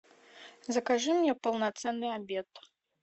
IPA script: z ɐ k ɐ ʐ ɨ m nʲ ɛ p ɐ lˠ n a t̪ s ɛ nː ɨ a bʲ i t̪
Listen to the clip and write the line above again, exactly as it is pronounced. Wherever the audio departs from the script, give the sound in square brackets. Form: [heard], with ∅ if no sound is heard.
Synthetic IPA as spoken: z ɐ k [a] ʐ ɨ m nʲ ɛ p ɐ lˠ n a t̪ s ɛ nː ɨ a bʲ [ɛ] t̪